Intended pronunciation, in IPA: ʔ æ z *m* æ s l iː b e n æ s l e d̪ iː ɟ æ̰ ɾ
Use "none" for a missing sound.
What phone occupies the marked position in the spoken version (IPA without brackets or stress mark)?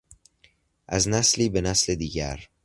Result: n